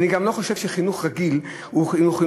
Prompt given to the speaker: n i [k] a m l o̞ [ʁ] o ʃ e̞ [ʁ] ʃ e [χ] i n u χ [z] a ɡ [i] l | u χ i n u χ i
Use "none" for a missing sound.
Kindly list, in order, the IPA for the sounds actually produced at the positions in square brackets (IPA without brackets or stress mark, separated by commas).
ɡ, χ, v, χ, ʁ, i